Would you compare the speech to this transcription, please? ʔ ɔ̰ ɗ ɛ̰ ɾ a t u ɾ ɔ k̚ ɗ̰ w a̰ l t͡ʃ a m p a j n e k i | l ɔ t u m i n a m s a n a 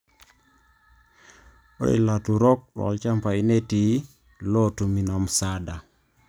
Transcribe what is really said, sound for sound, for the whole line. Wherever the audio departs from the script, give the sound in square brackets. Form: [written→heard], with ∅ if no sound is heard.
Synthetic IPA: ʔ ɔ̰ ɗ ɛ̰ [ɾ→l] a t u ɾ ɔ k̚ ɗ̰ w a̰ l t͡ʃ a m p a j n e [k→t] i | l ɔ t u m i n a m s a [n→d] a